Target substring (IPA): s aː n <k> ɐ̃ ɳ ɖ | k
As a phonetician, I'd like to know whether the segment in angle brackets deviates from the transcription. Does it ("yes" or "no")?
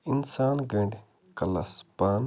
yes